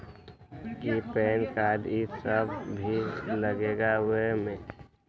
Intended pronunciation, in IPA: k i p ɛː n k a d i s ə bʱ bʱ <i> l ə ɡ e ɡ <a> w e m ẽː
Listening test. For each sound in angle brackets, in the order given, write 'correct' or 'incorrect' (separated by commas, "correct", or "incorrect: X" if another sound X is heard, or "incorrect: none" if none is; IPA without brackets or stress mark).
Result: correct, correct